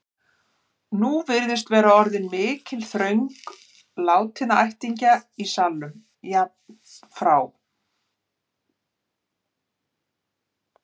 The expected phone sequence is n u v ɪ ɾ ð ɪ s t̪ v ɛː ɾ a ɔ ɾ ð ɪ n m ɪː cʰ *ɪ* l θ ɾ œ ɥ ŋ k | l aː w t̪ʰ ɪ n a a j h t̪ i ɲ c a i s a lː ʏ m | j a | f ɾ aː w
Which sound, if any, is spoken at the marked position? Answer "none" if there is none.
ɪ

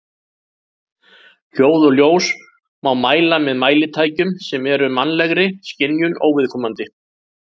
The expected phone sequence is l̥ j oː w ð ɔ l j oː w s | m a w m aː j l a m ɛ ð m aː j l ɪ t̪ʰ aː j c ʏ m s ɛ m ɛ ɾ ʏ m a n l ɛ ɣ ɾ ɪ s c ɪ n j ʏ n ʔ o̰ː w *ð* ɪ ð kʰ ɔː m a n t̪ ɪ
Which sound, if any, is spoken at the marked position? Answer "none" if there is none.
v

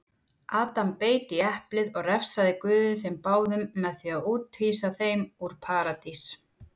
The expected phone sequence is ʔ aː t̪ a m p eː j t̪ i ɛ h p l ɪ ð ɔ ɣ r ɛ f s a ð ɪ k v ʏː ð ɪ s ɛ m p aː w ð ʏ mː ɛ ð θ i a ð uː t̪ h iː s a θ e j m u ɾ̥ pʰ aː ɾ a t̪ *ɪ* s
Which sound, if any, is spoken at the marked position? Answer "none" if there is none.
i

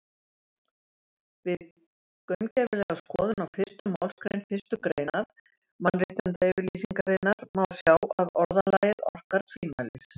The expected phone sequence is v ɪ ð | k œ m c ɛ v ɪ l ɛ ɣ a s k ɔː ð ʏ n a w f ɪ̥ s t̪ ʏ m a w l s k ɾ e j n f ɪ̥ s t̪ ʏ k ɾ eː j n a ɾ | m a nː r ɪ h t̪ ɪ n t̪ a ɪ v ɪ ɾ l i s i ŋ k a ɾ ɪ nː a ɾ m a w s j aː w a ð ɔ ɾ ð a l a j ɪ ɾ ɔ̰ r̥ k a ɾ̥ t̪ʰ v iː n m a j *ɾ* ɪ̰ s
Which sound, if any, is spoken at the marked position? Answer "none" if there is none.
l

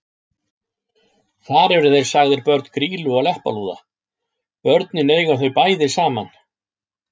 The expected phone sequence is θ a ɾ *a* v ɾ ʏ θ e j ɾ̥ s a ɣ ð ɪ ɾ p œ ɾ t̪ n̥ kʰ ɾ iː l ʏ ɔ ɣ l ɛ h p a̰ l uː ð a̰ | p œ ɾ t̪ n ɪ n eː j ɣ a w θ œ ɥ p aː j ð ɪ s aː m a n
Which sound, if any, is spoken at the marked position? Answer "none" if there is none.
ɛ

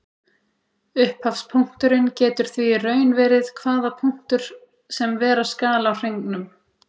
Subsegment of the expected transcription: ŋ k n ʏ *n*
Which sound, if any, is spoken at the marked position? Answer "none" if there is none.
m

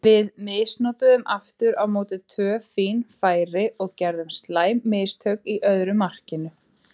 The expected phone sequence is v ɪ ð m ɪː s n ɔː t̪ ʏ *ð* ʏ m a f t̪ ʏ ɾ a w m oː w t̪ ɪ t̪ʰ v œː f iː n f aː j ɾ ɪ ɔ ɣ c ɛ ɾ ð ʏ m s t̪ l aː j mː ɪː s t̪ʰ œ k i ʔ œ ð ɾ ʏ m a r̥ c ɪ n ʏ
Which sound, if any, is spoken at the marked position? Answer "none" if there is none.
ð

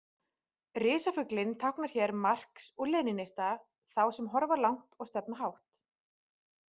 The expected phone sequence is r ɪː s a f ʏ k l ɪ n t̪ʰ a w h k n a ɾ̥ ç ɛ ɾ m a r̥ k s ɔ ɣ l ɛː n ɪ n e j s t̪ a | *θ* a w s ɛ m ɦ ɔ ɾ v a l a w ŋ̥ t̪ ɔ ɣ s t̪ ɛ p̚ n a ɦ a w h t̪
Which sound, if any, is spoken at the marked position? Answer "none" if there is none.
θ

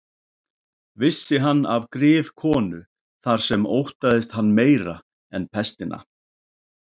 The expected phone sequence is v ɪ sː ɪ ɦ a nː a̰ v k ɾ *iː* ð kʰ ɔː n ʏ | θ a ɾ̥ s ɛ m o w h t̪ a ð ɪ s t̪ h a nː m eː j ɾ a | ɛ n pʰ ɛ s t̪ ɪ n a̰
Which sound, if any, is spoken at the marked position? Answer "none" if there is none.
ɪː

